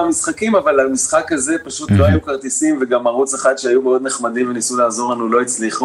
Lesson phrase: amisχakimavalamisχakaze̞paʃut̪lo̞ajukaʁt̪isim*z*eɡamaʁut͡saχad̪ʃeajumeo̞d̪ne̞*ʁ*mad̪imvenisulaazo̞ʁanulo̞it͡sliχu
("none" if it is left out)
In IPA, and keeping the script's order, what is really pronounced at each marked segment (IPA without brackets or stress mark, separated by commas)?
v, χ